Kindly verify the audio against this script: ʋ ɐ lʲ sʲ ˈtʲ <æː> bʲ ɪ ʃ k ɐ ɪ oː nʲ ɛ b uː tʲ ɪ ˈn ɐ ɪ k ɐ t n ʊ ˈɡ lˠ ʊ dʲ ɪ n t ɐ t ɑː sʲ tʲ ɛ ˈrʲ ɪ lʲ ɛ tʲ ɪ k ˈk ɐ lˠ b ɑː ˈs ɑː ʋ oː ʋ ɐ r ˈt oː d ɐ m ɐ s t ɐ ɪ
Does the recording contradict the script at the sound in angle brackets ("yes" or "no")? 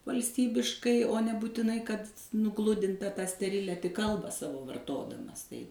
yes